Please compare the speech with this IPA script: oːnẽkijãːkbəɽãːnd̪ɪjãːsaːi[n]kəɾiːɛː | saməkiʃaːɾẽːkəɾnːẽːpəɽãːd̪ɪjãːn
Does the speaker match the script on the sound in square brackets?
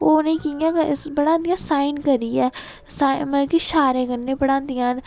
yes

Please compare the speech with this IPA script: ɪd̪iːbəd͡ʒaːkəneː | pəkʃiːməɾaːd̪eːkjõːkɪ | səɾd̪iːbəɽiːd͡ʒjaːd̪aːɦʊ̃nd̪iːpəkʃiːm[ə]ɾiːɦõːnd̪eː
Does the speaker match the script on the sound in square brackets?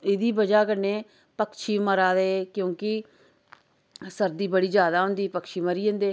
yes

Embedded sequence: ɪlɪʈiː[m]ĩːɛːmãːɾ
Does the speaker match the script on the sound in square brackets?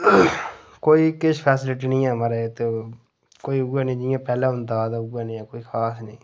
no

